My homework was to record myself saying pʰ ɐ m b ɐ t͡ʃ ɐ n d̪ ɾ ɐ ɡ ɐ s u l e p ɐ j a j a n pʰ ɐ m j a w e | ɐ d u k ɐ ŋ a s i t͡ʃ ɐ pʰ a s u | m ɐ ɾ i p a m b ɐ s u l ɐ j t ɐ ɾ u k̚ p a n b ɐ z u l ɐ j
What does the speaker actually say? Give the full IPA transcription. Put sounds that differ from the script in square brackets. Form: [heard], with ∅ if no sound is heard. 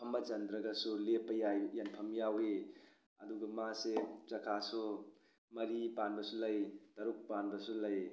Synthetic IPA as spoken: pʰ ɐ m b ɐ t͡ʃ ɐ n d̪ ɾ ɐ ɡ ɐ s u l e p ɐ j a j a n pʰ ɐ m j a w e | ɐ d u [ɡ] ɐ [m] a s [e] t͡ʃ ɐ [kʰ] a s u | m ɐ ɾ i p a [n] b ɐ s u l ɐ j t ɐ ɾ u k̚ p a n b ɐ [s] u l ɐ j

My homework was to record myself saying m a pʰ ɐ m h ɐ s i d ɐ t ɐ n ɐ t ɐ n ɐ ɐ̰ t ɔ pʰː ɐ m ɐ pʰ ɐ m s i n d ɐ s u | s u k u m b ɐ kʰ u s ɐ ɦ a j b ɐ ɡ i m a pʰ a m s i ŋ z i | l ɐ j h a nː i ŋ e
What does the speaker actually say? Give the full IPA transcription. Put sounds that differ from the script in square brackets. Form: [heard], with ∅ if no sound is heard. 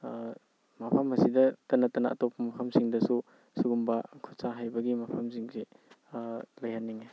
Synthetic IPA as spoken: m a pʰ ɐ m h ɐ s i d ɐ t ɐ n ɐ t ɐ n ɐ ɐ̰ t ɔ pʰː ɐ m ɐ pʰ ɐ m s i [ŋ] d ɐ s u | s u [ɡ] u m b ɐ kʰ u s [a] ɦ a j b ɐ ɡ i m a pʰ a m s i ŋ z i | l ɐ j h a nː i ŋ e

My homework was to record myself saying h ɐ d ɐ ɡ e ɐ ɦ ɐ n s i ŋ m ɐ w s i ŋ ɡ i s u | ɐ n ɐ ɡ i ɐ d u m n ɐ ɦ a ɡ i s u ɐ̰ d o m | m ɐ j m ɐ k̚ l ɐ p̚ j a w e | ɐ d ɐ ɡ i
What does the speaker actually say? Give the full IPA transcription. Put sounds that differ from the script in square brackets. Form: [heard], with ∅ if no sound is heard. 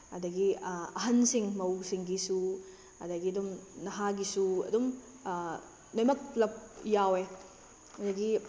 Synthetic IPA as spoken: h ɐ d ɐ ɡ [i] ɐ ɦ ɐ n s i ŋ m ɐ w s i ŋ ɡ i s u | ɐ [d] ɐ ɡ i ɐ d u m n ɐ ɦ a ɡ i s u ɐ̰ d [u] m | [n] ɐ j m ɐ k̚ l ɐ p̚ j a w e | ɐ d ɐ ɡ i

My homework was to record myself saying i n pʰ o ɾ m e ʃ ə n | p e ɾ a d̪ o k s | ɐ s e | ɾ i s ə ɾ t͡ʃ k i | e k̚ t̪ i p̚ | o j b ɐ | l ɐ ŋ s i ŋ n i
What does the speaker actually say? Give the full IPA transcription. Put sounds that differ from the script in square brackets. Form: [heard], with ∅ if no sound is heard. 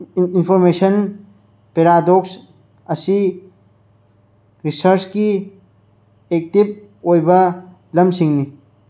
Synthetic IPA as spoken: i n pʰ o ɾ m e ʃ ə n | p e ɾ a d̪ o k s | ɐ s [i] | ɾ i s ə ɾ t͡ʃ k i | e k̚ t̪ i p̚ | o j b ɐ | l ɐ [m] s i ŋ n i

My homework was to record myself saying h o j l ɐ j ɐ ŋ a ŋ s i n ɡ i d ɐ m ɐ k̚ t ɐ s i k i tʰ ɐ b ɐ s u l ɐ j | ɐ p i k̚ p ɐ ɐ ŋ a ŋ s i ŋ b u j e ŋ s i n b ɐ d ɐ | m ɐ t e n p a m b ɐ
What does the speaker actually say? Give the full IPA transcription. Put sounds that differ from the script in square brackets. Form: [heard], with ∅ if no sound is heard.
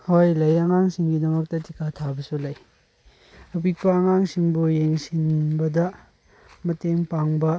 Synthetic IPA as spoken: h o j l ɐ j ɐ ŋ a ŋ s i [ŋ] ɡ i d ɐ m ɐ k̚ t ɐ [t] i k [a] tʰ [a] b ɐ s u l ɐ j | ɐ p i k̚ p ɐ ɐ ŋ a ŋ s i ŋ b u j e ŋ s i n b ɐ d ɐ | m ɐ t e [ŋ] p a [ŋ] b ɐ

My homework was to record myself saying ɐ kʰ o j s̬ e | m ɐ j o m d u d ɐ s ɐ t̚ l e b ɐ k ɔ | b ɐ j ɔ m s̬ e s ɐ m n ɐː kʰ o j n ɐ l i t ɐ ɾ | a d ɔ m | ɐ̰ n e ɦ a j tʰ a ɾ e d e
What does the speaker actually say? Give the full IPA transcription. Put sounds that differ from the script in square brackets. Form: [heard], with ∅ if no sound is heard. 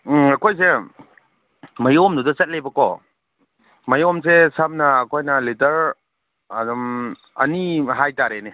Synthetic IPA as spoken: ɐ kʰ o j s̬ e | m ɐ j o m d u d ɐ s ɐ t̚ l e b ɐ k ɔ | [m] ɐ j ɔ m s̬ e s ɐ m n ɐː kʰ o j n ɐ l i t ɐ ɾ | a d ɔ m | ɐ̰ n [i] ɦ a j [t] a ɾ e [n] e

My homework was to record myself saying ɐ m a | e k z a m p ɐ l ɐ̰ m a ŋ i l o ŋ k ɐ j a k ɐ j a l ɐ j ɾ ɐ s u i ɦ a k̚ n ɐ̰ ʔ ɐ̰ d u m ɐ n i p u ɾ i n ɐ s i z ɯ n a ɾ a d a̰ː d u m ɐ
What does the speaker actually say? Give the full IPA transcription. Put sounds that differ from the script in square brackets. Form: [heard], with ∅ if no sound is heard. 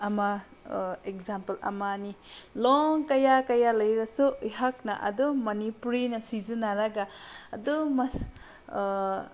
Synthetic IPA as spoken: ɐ m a | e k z a m p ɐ l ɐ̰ m a [n] i l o ŋ k ɐ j a k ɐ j a l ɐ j ɾ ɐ s u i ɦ a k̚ n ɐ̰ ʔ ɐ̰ d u m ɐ n i p u ɾ i n ɐ s i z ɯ n a ɾ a [ɡ] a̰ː d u m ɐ

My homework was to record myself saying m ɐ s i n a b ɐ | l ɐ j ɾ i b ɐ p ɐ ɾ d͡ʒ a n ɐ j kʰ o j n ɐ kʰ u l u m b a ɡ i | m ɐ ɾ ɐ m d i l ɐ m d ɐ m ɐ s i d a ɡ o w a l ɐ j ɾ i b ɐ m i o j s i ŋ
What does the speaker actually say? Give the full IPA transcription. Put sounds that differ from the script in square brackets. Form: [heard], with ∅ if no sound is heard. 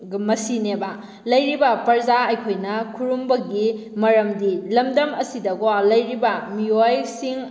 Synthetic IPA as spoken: m ɐ s i n [e] b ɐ | l ɐ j ɾ i b ɐ p ɐ ɾ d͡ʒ a [∅] ɐ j kʰ o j n ɐ kʰ u [ɾ] u m b [ɐ] ɡ i | m ɐ ɾ ɐ m d i l ɐ m d ɐ m ɐ s i d [ɐ] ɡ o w a l ɐ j ɾ i b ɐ m i o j s i ŋ

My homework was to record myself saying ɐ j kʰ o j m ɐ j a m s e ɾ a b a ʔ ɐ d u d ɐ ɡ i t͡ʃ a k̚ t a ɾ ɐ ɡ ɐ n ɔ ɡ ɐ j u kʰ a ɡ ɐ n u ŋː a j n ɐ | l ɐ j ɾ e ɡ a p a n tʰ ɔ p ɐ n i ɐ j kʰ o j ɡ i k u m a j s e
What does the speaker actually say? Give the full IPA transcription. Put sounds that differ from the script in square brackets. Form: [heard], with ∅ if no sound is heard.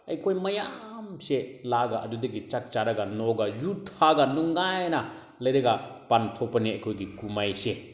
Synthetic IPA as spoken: ɐ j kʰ o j m ɐ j a m s e [l] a [ɡ] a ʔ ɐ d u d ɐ ɡ i t͡ʃ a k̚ [t͡ʃ] a ɾ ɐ ɡ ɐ n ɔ ɡ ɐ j u [tʰ] a ɡ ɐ n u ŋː a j n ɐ | l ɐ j ɾ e ɡ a p a n tʰ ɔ p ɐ n i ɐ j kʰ o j ɡ i k u m a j s e

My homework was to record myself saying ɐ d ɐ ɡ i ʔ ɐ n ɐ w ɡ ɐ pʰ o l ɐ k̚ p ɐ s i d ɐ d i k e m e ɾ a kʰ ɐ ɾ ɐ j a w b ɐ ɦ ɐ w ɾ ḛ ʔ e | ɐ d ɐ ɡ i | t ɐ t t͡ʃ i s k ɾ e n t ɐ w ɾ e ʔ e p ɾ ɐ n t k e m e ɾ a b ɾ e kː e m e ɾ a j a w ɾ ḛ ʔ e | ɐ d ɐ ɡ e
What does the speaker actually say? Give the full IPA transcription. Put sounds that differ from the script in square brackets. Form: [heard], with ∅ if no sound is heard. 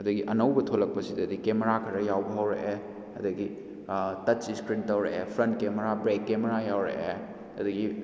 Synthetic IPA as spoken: ɐ d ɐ ɡ i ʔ ɐ n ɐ w [b] ɐ [tʰ] o l ɐ k̚ p ɐ s i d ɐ d i k e m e ɾ a kʰ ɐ ɾ ɐ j a w b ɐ ɦ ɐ w ɾ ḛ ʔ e | ɐ d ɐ ɡ i | t ɐ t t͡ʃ i s k ɾ [i] n t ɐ w ɾ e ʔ e [pʰ] ɾ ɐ n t k e m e ɾ a b ɾ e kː e m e ɾ a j a w ɾ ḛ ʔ e | ɐ d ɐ ɡ [i]

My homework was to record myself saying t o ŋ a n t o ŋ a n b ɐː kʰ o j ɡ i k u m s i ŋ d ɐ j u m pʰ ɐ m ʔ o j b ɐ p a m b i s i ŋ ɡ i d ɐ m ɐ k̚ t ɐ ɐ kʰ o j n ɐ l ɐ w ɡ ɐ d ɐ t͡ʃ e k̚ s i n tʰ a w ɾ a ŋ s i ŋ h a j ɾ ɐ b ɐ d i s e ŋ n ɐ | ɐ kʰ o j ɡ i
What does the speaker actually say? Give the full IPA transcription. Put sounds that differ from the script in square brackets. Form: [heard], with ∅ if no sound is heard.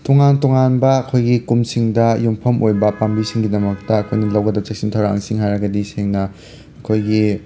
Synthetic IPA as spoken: t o ŋ a n t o ŋ a n b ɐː kʰ o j ɡ i k u m s i ŋ d ɐ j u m pʰ ɐ m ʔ o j b ɐ p a m b i s i ŋ ɡ i d ɐ m ɐ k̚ t ɐ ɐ kʰ o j n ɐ l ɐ w ɡ ɐ d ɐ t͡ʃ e k̚ s i n tʰ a w ɾ a ŋ s i ŋ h a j ɾ ɐ [ɡ] ɐ d i s e ŋ n ɐ | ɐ kʰ o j ɡ i

